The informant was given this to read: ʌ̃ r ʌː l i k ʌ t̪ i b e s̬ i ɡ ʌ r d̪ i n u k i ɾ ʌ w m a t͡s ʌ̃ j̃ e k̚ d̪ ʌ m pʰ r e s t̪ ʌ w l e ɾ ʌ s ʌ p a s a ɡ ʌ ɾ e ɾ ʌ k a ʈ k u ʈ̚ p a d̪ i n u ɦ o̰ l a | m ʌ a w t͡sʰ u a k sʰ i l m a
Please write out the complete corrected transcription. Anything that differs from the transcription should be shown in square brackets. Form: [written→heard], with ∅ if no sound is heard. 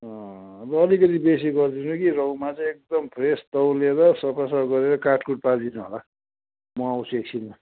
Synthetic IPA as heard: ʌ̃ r ʌː l i k ʌ t̪ i b e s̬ i ɡ ʌ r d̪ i n u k i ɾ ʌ w m a t͡s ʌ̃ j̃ e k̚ d̪ ʌ m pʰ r e s t̪ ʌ w l e ɾ ʌ s ʌ p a s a ɡ ʌ ɾ e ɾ ʌ k a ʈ k u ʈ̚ p a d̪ i n u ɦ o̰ l a | m ʌ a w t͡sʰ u [a→e] k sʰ i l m a